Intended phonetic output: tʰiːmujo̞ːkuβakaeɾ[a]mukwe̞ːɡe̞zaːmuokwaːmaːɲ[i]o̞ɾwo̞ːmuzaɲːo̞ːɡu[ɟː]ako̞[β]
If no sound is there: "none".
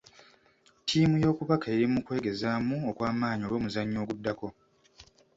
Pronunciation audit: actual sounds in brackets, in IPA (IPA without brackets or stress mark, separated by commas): i, i, dː, none